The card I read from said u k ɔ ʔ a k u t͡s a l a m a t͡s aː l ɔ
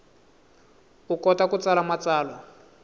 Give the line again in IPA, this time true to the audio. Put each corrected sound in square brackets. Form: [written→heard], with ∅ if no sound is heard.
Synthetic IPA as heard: u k ɔ [ʔ→t] a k u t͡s a l a m a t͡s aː l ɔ